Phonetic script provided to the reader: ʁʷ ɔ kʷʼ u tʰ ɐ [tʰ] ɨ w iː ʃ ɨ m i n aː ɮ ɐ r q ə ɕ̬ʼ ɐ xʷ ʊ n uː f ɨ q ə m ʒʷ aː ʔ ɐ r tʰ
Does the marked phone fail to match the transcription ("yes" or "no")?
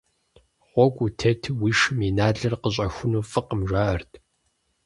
no